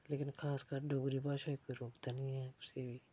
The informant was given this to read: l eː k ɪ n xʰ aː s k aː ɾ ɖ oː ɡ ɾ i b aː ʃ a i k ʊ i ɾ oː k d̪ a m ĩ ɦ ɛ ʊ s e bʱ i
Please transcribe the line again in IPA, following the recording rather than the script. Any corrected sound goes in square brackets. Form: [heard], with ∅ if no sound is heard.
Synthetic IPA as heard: l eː k ɪ n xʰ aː s k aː ɾ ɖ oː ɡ ɾ i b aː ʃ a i k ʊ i ɾ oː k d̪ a [n] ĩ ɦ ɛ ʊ s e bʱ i